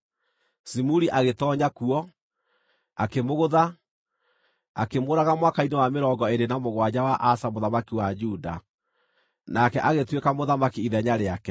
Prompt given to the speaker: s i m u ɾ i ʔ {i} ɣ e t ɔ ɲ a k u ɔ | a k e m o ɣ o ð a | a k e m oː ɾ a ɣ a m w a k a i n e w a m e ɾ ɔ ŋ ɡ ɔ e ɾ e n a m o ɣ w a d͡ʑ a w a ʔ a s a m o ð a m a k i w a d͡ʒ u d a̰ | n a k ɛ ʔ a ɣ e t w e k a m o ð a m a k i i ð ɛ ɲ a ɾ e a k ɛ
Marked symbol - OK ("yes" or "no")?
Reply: no